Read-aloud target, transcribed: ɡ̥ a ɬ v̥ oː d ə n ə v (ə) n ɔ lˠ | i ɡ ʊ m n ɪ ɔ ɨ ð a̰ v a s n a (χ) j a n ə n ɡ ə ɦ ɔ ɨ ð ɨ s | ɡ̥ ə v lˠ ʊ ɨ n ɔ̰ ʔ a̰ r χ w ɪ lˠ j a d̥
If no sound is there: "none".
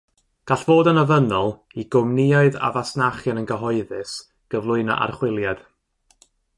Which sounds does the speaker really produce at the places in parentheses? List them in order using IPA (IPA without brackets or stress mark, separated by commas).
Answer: ə, χ